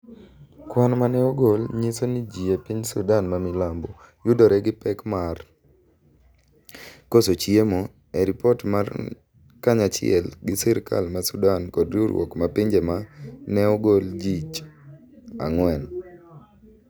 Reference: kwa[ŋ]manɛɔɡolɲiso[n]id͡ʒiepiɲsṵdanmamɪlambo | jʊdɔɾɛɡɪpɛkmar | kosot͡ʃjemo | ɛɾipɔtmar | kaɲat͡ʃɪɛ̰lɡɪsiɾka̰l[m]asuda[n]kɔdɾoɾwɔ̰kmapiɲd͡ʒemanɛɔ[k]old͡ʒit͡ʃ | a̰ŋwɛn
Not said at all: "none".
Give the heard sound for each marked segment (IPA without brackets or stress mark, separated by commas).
n, n, m, n, ɡ